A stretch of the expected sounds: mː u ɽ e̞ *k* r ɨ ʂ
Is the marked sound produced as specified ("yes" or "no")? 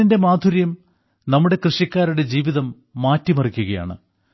yes